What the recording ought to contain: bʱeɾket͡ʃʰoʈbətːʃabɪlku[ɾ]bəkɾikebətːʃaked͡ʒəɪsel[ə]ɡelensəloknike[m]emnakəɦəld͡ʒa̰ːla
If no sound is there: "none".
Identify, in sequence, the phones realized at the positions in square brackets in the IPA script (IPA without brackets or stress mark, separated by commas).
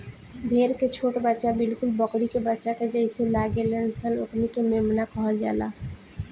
l, a, m